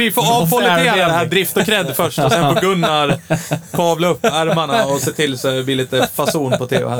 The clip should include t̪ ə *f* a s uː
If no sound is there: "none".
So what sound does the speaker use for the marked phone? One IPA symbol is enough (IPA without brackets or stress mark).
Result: f